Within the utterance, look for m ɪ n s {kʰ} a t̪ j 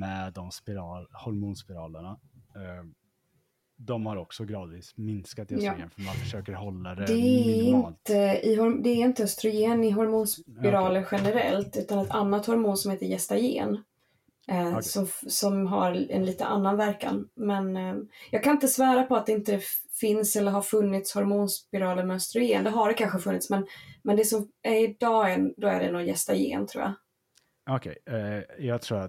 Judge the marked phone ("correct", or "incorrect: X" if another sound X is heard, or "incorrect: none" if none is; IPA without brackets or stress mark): incorrect: k